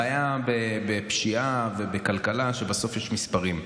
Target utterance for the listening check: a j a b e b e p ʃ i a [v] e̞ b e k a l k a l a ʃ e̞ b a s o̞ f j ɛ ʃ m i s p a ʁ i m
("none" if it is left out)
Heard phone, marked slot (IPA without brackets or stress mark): v